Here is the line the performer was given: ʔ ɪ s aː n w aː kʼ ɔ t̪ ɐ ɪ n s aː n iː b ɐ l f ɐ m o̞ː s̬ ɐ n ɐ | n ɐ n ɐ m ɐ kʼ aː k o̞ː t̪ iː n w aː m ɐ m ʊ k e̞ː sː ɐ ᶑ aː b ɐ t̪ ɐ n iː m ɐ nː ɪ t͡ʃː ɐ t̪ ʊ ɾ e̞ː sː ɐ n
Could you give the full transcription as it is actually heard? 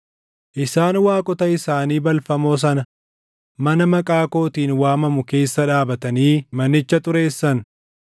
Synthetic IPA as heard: ʔ ɪ s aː n w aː kʼ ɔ t̪ ɐ ɪ s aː n iː b ɐ l f ɐ m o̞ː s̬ ɐ n ɐ | m ɐ n ɐ m ɐ kʼ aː k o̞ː t̪ iː n w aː m ɐ m ʊ k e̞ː sː ɐ ᶑ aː b ɐ t̪ ɐ n iː m ɐ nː ɪ t͡ʃː ɐ t̪ ʊ ɾ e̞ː sː ɐ n